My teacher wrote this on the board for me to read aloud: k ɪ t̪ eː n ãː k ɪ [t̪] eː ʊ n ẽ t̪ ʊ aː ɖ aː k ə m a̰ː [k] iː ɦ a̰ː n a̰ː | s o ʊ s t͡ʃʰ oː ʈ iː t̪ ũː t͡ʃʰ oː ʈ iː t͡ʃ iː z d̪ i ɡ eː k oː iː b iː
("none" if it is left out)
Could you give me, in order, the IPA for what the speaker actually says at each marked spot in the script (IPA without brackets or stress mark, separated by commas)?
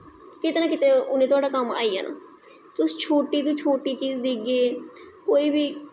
t̪, none